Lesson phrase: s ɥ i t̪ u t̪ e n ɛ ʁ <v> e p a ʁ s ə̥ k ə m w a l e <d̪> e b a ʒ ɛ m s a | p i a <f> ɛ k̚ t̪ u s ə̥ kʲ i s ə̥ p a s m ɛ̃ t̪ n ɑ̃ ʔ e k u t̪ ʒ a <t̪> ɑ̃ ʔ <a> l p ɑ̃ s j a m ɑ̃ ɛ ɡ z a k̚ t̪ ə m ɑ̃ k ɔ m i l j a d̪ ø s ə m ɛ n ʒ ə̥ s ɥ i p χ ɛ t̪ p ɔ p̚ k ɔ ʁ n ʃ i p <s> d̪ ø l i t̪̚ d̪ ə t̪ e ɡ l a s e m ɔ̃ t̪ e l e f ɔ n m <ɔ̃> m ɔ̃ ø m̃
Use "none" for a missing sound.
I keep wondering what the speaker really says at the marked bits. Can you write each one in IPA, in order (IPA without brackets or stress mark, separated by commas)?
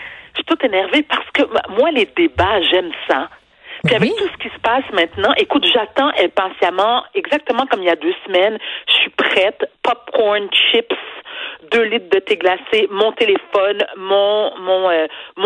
v, d̪, v, t̪, ɛ, s, ɔ̃